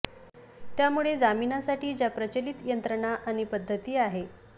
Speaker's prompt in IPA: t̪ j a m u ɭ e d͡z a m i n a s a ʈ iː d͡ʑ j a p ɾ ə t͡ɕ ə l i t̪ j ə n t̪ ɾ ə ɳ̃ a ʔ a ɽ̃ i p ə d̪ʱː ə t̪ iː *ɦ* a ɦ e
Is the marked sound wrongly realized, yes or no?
yes